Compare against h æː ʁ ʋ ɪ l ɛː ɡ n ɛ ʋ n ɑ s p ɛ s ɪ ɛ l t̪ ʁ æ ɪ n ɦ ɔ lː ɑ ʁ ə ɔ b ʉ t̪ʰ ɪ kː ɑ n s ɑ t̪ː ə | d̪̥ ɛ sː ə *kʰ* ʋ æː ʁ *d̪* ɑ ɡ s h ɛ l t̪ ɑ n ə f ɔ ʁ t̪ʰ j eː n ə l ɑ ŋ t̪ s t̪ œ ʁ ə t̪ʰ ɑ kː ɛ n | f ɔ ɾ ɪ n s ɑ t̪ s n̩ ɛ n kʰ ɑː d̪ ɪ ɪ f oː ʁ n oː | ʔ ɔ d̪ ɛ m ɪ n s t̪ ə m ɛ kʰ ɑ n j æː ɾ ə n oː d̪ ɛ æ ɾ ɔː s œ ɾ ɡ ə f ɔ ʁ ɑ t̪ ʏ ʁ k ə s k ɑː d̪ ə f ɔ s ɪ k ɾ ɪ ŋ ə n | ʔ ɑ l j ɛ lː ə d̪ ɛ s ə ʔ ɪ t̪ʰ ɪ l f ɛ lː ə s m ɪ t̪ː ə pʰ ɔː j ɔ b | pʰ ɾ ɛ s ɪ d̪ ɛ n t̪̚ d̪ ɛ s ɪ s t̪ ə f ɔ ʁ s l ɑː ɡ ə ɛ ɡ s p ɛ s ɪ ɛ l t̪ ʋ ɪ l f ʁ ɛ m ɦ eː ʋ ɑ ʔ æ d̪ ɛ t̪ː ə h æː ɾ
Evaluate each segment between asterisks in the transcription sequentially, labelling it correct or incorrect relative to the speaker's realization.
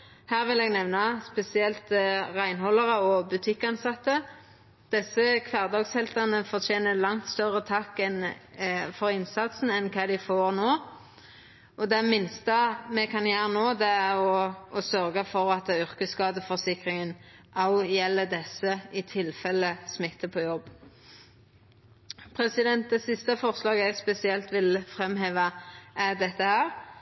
correct, correct

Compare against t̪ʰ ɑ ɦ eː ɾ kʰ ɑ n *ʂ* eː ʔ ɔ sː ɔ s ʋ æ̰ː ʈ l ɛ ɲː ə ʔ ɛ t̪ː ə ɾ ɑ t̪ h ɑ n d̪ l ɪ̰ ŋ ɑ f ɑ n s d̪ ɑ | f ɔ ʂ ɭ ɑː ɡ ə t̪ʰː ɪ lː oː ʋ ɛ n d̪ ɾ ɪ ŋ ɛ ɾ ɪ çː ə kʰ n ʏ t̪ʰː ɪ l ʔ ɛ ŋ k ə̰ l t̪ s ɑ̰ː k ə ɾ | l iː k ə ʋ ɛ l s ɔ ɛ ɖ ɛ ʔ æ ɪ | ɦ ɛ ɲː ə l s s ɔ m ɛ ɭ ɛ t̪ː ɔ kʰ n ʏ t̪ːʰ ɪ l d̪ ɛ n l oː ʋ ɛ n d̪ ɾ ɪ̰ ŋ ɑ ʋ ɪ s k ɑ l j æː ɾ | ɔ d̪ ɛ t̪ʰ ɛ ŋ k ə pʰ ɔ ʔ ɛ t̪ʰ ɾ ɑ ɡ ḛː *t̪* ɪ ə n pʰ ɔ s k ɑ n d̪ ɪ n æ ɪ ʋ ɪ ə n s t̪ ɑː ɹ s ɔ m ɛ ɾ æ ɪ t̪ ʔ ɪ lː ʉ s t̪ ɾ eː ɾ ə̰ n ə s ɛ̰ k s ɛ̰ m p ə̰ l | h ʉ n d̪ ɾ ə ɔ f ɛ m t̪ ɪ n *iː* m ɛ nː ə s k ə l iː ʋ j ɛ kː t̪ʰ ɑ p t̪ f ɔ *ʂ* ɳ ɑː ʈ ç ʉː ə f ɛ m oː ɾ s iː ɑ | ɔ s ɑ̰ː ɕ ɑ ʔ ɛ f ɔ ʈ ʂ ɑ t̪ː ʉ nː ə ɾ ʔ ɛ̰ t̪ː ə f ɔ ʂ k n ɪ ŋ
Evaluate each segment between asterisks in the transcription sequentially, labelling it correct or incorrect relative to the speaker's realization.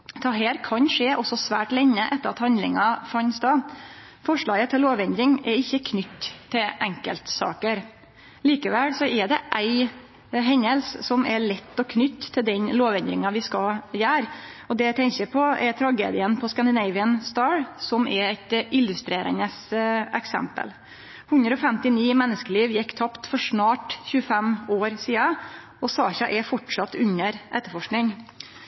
correct, incorrect: d̪, correct, correct

